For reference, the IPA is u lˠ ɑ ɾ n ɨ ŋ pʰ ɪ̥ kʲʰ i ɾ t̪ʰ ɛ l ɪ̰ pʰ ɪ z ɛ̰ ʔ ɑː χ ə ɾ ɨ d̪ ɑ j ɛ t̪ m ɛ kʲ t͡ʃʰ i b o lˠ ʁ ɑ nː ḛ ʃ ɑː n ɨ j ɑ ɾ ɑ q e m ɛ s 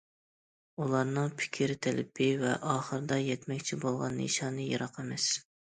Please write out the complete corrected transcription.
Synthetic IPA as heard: u lˠ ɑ ɾ n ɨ ŋ pʰ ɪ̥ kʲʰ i ɾ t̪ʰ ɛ l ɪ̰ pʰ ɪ v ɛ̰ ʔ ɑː χ ə ɾ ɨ d̪ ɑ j ɛ t̪ m ɛ kʲ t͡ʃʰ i b o lˠ ʁ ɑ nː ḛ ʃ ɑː n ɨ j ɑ ɾ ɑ q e m ɛ s